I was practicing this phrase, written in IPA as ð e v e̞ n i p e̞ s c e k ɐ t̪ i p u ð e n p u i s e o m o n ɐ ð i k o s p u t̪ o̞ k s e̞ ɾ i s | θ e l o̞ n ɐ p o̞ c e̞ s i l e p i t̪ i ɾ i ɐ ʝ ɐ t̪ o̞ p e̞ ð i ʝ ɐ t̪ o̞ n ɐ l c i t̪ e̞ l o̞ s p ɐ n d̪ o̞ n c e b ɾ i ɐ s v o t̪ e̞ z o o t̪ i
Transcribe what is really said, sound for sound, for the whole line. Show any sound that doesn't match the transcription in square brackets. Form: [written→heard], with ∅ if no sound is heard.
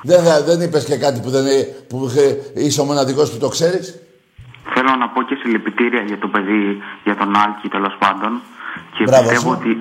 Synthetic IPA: ð e [v→ð] e̞ n i p e̞ s c e k ɐ t̪ i p u ð e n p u i s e o m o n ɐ ð i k o s p u t̪ o̞ k s e̞ ɾ i s | θ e l o̞ n ɐ p o̞ c e̞ s i l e p i t̪ i ɾ i ɐ ʝ ɐ t̪ o̞ p e̞ ð i ʝ ɐ t̪ o̞ n ɐ l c i t̪ e̞ l o̞ s p ɐ n d̪ o̞ n c e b ɾ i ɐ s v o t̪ e̞ [z→v] o o t̪ i